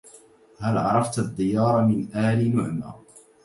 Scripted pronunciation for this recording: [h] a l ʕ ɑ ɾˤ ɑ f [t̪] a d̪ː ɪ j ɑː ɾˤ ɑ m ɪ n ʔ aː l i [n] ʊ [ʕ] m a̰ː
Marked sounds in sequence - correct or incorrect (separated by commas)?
correct, correct, correct, correct